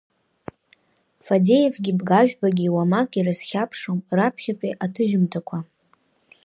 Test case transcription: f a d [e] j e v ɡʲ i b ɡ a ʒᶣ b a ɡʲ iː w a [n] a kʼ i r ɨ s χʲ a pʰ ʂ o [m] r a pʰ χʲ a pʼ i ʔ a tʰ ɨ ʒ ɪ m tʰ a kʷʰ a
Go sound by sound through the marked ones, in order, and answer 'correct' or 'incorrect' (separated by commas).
correct, incorrect, correct